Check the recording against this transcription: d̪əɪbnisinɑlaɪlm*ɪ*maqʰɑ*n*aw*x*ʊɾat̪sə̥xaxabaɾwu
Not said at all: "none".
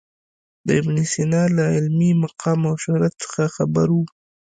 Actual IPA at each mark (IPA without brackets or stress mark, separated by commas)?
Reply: i, m, ʃ